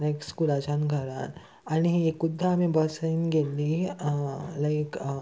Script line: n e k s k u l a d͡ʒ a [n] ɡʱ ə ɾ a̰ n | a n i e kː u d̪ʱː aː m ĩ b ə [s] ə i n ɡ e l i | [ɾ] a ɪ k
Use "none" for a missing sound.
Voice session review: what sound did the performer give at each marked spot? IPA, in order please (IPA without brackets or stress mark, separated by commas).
n, s, l